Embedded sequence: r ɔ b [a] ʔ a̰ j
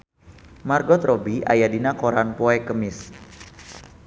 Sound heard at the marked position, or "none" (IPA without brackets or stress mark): i